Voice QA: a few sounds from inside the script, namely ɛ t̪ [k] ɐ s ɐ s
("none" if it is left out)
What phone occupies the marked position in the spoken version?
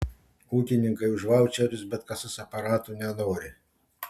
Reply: k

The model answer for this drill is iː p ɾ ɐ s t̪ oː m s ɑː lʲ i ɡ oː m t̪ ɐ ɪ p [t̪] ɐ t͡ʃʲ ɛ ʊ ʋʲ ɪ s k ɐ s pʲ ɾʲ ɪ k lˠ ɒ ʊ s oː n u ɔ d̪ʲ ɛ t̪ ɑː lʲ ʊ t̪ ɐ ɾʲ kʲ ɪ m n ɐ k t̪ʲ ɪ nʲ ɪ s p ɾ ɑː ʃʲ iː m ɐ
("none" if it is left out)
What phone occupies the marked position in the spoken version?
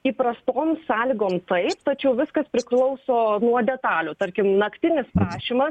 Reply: t̪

